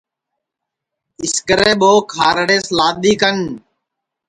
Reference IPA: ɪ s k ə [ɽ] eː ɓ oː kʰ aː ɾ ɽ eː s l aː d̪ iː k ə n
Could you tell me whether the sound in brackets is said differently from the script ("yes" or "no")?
yes